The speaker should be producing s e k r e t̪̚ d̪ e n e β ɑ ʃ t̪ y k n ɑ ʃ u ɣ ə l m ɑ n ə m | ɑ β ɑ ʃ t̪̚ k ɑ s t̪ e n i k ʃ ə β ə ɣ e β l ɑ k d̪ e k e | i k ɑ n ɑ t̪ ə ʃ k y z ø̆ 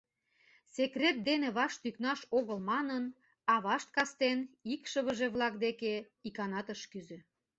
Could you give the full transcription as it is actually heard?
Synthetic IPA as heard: s e k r e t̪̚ d̪ e n e β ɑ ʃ t̪ y k n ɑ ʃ o ɣ ə l m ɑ n ə n | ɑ β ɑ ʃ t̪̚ k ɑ s t̪ e n i k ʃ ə β ə ʒ e β l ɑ k d̪ e k e | i k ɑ n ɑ t̪ ə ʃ k y z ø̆